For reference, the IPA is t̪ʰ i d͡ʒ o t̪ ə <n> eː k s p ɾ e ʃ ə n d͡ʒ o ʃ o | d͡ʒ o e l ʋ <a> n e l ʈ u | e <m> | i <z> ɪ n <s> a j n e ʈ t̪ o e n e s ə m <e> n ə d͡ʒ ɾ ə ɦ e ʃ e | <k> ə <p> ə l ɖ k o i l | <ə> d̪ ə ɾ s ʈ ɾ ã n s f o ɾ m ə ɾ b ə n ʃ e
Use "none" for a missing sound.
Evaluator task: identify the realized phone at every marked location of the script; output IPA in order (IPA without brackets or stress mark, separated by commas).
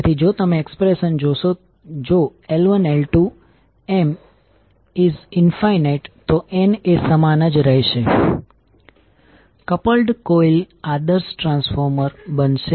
m, ə, m, z, f, a, k, p, a